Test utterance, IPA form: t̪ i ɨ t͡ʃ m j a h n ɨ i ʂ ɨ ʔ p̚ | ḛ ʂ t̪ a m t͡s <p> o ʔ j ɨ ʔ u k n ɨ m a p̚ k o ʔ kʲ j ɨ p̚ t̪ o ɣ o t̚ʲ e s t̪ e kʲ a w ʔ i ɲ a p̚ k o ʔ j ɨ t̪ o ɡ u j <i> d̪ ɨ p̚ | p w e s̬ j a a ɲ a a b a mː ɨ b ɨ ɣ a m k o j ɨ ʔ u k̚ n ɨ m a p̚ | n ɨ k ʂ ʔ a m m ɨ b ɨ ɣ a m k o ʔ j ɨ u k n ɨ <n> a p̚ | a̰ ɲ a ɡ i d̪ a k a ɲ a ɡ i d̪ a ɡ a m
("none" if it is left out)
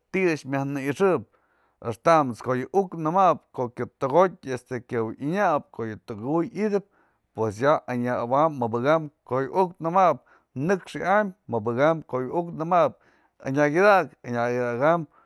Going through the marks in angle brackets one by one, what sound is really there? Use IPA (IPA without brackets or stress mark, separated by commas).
k, i, m